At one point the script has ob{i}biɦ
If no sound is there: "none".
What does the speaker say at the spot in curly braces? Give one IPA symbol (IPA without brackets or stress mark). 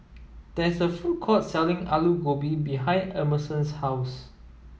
i